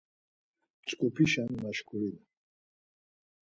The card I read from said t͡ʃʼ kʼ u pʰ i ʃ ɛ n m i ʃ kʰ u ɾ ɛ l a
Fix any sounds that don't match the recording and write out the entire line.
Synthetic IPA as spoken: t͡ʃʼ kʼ u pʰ i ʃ a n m a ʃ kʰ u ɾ i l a